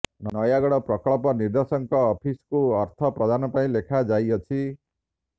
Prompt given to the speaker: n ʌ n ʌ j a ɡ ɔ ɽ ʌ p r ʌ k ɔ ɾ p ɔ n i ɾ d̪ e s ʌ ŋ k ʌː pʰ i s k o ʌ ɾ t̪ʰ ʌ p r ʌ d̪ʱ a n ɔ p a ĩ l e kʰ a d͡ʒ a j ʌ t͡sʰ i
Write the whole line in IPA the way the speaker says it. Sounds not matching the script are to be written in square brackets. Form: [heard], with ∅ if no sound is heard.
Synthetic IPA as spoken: n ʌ n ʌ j a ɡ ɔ ɽ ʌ p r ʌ k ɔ [ɭ] p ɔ n i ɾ d̪ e s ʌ ŋ k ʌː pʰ i s k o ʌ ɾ t̪ʰ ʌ p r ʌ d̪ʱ a n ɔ p a ĩ l e kʰ a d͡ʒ a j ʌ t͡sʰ i